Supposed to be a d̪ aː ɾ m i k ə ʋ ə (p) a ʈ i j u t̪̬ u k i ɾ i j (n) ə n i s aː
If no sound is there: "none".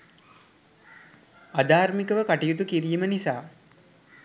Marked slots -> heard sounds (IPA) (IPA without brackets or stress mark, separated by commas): k, m